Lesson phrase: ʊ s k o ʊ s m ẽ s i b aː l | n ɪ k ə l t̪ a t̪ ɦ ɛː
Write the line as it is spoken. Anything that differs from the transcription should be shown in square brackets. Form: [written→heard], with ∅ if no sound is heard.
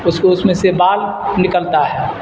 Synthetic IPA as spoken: ʊ s k o ʊ s m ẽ s [i→e] b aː l | n ɪ k ə l t̪ a [t̪→∅] ɦ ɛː